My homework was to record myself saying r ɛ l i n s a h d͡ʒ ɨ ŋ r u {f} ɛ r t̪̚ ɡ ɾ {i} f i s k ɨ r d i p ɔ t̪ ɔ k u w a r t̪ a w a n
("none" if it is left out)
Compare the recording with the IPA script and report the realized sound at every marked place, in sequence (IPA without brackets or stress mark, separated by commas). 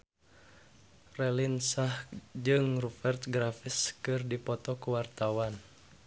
f, a